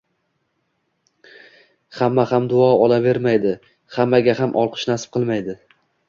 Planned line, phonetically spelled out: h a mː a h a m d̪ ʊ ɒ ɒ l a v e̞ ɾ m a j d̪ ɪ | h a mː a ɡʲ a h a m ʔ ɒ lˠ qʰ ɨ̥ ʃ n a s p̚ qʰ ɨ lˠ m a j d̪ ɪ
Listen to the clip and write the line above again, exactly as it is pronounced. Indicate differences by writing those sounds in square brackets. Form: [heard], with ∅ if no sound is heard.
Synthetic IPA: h a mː a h a m d̪ ʊ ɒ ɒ l a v e̞ ɾ m a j d̪ ɪ | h a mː a ɡʲ a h a m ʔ ɒ lˠ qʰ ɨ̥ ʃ n a s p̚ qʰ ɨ lˠ m a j d̪ ɪ